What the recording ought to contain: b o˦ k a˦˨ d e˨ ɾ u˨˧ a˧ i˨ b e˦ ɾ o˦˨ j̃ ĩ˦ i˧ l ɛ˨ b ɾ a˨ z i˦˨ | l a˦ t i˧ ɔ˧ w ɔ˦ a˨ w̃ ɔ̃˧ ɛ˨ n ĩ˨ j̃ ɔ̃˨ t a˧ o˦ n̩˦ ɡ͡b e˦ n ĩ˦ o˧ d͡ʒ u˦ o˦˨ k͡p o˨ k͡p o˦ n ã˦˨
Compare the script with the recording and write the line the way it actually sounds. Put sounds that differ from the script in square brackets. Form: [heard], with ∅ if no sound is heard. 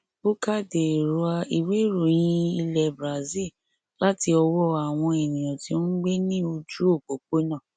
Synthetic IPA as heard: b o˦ k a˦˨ d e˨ ɾ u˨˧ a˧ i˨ [w] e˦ ɾ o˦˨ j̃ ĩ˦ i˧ l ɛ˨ b ɾ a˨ z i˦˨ | l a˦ t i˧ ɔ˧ w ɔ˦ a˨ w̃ ɔ̃˧ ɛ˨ n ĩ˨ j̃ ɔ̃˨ t [i˧] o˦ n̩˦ ɡ͡b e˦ n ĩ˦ o˧ d͡ʒ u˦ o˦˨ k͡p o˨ k͡p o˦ n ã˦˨